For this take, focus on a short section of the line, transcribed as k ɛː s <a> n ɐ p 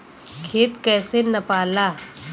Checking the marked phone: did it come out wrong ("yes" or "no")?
yes